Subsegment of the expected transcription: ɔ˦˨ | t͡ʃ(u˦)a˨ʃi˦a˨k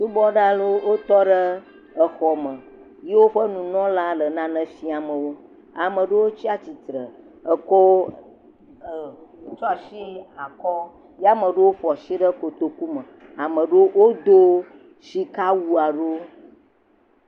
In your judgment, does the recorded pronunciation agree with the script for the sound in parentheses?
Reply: no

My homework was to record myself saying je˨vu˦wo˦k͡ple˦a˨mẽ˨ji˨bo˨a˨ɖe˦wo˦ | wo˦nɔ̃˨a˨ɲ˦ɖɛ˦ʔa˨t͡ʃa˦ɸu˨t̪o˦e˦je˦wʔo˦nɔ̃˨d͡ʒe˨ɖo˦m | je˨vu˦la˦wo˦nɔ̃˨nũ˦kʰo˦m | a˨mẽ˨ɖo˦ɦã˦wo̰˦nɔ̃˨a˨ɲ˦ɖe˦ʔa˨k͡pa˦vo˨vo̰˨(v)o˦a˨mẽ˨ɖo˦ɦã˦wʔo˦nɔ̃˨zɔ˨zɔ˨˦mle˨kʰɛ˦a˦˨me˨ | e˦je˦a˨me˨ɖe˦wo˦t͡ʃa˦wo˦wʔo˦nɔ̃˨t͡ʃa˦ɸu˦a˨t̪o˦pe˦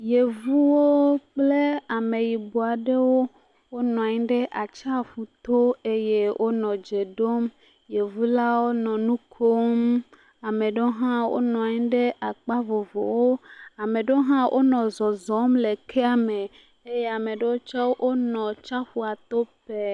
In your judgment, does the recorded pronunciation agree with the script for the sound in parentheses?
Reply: no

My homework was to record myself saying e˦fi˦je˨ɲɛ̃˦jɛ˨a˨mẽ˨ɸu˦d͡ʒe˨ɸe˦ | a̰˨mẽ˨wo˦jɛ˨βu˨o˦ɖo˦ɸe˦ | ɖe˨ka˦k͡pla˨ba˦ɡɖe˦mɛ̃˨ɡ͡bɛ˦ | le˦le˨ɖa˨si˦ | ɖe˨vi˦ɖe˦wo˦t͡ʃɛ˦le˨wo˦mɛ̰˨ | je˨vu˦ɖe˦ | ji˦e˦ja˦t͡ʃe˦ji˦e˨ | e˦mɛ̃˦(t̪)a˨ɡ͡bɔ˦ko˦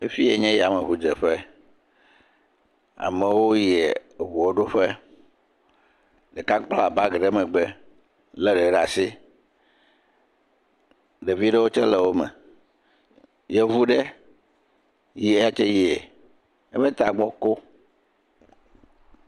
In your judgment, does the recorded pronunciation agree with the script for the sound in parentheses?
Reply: yes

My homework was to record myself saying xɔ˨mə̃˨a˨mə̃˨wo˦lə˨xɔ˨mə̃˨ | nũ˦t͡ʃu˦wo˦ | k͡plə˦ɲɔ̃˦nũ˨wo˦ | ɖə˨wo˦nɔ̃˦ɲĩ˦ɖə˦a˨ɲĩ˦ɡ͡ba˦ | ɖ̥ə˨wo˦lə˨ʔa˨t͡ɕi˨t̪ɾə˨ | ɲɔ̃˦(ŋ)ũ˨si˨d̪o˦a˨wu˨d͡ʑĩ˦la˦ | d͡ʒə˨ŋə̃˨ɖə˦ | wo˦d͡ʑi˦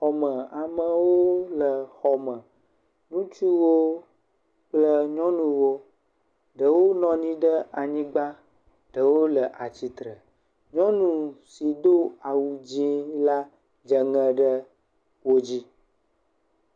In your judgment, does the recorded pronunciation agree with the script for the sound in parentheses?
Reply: no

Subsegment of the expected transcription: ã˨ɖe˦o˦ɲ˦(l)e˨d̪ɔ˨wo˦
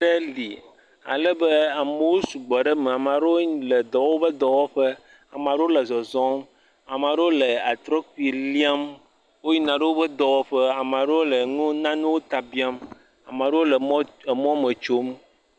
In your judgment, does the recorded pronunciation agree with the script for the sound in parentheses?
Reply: yes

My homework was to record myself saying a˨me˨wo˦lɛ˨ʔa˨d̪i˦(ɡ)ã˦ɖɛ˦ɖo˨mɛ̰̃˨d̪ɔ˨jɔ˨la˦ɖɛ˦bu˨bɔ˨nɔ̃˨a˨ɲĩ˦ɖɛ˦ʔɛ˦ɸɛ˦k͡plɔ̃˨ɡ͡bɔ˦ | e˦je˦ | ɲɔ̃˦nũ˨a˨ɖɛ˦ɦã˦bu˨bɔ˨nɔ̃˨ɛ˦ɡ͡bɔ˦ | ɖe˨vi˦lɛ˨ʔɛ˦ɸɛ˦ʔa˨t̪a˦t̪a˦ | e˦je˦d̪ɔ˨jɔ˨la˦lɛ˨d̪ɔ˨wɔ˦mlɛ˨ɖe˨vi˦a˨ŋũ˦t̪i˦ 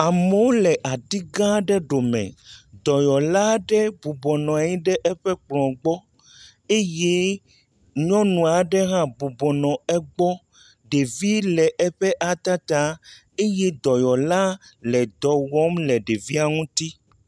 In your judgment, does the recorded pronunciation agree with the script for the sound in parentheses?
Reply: yes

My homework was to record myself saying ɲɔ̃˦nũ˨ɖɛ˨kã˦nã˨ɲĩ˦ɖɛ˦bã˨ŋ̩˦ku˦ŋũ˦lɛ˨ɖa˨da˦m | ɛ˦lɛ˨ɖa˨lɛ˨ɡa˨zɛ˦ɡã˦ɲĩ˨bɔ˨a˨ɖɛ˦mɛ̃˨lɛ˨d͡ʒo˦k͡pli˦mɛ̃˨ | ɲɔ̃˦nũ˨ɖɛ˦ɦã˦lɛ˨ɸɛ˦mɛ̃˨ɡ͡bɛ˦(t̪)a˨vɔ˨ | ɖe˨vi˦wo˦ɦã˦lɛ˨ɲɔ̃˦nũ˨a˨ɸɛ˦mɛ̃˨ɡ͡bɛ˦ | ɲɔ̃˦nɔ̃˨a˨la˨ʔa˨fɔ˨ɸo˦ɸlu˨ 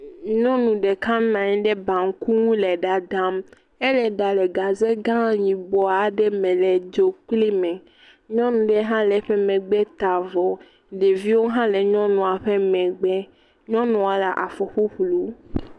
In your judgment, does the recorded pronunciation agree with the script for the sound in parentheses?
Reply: yes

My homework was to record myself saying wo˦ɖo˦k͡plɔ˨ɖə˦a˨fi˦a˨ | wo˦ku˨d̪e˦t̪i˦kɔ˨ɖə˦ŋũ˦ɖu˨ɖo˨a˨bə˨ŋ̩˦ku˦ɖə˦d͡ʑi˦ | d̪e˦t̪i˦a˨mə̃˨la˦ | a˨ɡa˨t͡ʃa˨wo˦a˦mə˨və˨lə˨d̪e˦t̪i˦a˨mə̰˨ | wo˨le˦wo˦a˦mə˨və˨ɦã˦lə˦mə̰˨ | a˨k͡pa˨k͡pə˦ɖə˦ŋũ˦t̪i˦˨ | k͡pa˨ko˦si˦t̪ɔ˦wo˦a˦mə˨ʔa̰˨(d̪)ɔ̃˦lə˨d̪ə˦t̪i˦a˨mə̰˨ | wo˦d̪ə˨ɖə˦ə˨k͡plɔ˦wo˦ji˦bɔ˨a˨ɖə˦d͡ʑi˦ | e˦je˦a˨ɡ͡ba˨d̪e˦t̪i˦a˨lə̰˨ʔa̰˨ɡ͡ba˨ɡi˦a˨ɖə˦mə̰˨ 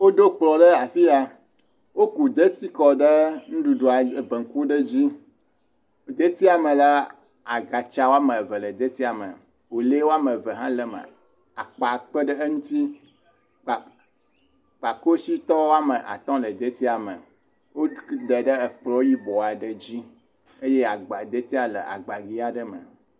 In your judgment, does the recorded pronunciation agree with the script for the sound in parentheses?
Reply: no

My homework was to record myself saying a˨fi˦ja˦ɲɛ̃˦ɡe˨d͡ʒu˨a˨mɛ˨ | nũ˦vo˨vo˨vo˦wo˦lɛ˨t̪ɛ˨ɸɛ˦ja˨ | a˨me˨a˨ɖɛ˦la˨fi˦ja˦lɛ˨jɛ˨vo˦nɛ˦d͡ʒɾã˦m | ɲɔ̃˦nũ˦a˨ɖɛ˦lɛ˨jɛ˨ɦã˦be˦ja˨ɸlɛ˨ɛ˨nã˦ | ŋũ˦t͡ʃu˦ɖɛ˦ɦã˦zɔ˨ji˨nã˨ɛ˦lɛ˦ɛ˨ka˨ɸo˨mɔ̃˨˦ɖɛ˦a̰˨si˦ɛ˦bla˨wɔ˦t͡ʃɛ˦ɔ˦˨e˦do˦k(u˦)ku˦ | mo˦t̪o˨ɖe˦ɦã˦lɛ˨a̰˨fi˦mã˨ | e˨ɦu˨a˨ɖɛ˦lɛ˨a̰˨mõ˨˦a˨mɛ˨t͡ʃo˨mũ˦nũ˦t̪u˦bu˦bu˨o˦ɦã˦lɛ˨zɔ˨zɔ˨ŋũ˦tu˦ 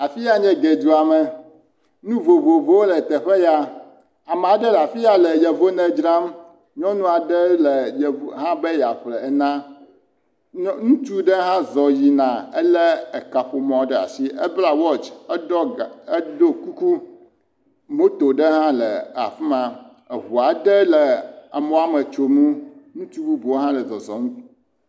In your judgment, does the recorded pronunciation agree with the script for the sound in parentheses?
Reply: yes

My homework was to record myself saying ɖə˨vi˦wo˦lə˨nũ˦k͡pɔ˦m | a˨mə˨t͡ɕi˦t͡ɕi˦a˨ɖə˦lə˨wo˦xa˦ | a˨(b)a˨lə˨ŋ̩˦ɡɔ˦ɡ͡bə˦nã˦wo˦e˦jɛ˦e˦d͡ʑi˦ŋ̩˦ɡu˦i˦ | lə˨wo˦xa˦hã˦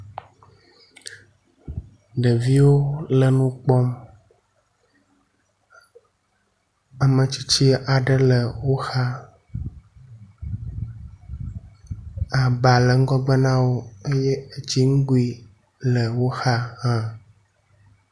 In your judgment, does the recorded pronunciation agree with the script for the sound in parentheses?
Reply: yes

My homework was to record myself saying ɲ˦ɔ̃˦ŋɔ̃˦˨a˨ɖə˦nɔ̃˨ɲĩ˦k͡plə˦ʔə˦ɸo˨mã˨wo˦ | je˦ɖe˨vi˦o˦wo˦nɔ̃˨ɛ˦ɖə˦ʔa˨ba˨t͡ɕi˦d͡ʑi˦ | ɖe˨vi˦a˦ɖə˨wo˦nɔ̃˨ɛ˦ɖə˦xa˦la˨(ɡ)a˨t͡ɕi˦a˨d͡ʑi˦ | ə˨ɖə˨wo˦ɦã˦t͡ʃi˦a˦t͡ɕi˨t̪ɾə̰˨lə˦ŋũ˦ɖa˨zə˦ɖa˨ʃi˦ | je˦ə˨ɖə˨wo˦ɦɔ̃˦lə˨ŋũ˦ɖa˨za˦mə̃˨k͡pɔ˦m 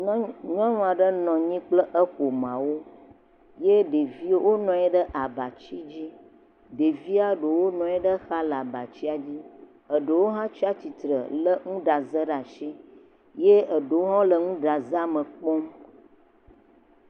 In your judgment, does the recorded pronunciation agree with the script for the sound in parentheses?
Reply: no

